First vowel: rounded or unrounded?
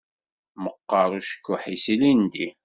unrounded